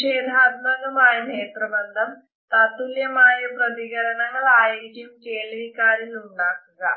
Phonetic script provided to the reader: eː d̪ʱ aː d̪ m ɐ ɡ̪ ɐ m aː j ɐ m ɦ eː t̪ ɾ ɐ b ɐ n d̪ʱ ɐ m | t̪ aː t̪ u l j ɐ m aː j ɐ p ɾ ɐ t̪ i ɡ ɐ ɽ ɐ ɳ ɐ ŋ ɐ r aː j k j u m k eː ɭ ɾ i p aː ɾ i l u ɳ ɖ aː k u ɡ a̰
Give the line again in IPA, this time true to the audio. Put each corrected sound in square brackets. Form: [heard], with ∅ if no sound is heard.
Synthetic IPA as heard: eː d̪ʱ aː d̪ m ɐ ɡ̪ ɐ m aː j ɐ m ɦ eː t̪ ɾ ɐ b ɐ n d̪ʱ ɐ m | t̪ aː t̪ u l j ɐ m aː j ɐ p ɾ ɐ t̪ i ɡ ɐ [ɾ] ɐ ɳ ɐ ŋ ɐ [ɭ] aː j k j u m k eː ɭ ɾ i [k] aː ɾ i l u ɳ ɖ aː k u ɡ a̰

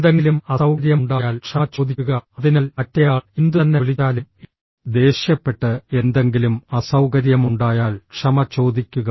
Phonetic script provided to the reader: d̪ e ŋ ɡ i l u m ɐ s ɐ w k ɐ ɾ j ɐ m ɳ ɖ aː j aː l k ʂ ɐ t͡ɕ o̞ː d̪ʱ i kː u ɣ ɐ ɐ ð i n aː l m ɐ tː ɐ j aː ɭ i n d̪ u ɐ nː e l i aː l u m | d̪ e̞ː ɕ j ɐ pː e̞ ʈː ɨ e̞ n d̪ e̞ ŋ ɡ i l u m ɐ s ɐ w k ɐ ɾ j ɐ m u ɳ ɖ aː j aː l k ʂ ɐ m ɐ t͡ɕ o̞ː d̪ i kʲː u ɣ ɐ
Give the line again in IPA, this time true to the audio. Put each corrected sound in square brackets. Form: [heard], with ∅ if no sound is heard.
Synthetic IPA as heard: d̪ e ŋ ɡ i l u m ɐ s ɐ w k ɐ ɾ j ɐ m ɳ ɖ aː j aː l k ʂ ɐ t͡ɕ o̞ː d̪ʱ i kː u ɣ ɐ ɐ ð i n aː l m ɐ tː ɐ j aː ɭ i n d̪ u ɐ nː e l i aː l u m | d̪ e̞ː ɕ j ɐ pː e̞ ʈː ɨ e̞ n d̪ e̞ ŋ ɡ i l u m ɐ s ɐ w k ɐ ɾ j ɐ m u ɳ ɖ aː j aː l k ʂ ɐ m ɐ t͡ɕ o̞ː d̪ i kʲː u ɣ ɐ

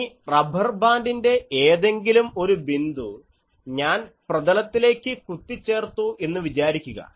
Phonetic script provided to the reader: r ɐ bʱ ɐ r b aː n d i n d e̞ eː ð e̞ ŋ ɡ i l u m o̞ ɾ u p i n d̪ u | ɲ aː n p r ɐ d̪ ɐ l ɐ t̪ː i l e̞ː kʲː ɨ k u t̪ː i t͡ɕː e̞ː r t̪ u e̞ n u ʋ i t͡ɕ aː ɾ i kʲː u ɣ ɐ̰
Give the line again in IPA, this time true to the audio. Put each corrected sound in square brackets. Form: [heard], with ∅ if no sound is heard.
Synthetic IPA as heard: r ɐ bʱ ɐ r b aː n d i n d e̞ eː ð e̞ ŋ ɡ i l u m o̞ ɾ u [b] i n d̪ u | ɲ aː n p r ɐ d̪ ɐ l ɐ t̪ː i l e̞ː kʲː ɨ k u t̪ː i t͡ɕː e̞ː r t̪ u e̞ [nː] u ʋ i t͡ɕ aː ɾ i kʲː u ɣ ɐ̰

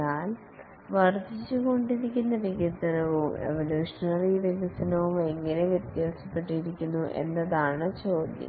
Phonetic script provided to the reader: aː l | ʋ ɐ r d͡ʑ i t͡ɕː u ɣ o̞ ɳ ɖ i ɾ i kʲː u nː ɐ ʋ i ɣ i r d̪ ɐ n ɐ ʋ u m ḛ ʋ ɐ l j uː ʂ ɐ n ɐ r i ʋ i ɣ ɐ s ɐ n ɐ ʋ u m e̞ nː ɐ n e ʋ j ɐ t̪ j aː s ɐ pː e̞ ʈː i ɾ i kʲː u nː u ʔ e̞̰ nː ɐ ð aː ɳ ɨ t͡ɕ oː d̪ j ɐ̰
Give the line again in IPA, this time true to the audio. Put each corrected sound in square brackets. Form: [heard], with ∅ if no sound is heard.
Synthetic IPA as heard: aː l | ʋ ɐ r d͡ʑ i t͡ɕː u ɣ o̞ ɳ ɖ i ɾ i kʲː u nː ɐ ʋ i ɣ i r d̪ ɐ n ɐ ʋ u m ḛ ʋ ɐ l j uː ʂ ɐ n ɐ r i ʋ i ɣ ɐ s ɐ n ɐ ʋ u m e̞ [ŋː] ɐ n e ʋ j ɐ t̪ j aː s ɐ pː e̞ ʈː i ɾ i kʲː u nː u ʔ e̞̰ nː ɐ ð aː ɳ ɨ t͡ɕ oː d̪ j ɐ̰

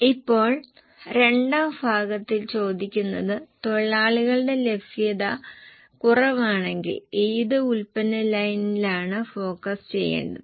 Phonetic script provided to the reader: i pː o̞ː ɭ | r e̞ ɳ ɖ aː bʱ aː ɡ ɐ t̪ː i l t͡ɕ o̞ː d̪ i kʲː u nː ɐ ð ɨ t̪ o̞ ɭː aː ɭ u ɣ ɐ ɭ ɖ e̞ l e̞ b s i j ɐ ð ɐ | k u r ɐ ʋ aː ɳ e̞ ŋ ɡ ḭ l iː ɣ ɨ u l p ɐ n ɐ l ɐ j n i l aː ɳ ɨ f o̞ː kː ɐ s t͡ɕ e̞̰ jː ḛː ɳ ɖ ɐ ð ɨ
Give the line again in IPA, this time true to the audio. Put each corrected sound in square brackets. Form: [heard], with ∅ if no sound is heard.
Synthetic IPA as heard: i pː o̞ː ɭ | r e̞ ɳ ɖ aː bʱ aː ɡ ɐ t̪ː i l t͡ɕ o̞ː d̪ i kʲː u nː ɐ ð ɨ t̪ o̞ ɭː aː ɭ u ɣ ɐ ɭ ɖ e̞ l e̞ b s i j ɐ ð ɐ | k u r ɐ ʋ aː ɳ e̞ ŋ ɡ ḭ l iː [ð] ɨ u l p ɐ n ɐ l ɐ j n i l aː ɳ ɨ f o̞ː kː ɐ s t͡ɕ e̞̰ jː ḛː ɳ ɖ ɐ ð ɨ

